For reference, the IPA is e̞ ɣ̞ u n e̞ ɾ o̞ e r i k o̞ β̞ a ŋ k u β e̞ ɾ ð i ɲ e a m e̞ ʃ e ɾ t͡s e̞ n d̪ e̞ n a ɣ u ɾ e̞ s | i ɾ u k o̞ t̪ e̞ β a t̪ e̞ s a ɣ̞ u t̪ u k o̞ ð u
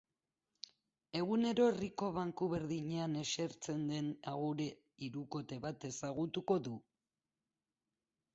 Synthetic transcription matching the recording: e̞ ɣ̞ u n e̞ ɾ o̞ e r i k o̞ β̞ a ŋ k u β e̞ ɾ ð i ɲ e a n e̞ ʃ e ɾ t͡s e̞ n d̪ e̞ n a ɣ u ɾ e̞ | i ɾ u k o̞ t̪ e̞ β a t̪ e̞ s a ɣ̞ u t̪ u k o̞ ð u